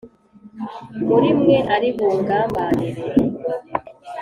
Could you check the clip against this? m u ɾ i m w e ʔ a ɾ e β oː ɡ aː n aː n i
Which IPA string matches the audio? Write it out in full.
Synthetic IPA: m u ɾ i m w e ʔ a ɾ i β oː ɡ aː m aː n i

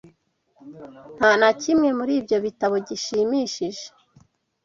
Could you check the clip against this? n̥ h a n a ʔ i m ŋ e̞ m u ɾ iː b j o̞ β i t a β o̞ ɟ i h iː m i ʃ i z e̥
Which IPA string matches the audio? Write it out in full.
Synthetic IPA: n̥ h a n a c i m ŋ e̞ m u ɾ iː b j o̞ β i t a β o̞ ɟ i ʃ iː m i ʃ i ʒ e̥

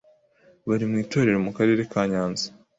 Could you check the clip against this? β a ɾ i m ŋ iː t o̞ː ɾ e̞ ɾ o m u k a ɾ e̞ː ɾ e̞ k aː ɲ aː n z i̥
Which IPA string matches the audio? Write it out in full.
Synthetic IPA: β a ɾ i m ŋ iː t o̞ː ɾ e̞ ɾ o m u k a ɾ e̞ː ɾ e̞ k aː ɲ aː n z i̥

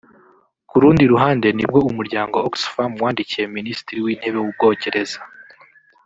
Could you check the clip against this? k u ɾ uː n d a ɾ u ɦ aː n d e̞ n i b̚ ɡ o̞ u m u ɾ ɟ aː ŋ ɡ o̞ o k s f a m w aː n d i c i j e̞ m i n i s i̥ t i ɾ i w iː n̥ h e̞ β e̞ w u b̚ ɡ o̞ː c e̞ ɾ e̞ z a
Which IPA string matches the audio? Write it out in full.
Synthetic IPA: k u ɾ uː n d i ɾ u ɦ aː n d e̞ n i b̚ ɡ o̞ u m u ɾ ɟ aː ŋ ɡ o̞ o k s f a m w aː n d i c i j e̞ m i n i s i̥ t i ɾ i w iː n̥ h e̞ β e̞ w u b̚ ɡ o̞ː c e̞ ɾ e̞ z a

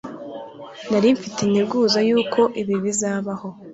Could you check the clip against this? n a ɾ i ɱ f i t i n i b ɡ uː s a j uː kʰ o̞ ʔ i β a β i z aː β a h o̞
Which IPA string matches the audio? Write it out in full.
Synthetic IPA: n a ɾ i ɱ f i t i n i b ɡ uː z a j uː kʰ o̞ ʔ i β i β i z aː β a h o̞

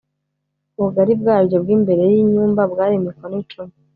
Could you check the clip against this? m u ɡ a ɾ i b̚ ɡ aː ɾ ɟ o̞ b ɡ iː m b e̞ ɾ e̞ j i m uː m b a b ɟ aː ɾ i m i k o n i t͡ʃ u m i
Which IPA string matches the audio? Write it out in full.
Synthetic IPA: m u ɡ a ɾ i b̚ ɡ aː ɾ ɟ o̞ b ɡ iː m b e̞ ɾ e̞ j i ɲ uː m b a b ɡ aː ɾ i m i k o n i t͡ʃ u m i

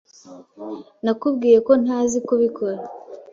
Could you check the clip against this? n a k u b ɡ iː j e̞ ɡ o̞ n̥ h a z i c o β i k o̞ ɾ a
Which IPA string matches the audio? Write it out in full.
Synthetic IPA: n a k u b ɡ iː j e̞ k o̞ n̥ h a z i k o β i k o̞ ɾ a

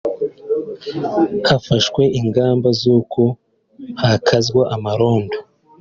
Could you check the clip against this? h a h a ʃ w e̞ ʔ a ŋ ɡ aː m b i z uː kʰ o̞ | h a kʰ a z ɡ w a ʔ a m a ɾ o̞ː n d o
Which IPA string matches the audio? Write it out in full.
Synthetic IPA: h a f a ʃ w e̞ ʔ i ŋ ɡ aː m b a z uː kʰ o̞ | h a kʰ a z ɡ w a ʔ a m a ɾ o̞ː n d o

